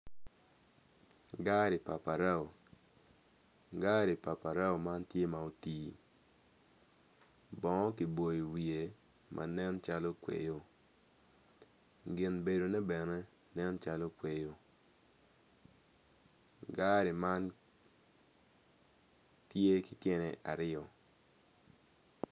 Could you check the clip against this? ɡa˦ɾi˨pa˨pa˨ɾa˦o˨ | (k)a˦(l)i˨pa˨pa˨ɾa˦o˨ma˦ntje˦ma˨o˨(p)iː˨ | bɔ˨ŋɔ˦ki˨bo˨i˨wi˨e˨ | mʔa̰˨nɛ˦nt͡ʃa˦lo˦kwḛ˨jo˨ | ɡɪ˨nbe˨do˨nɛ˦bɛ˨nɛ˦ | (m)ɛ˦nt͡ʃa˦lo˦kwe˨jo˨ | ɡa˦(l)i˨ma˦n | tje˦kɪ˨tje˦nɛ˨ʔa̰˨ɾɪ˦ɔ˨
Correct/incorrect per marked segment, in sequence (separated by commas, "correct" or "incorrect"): incorrect, incorrect, incorrect, incorrect, incorrect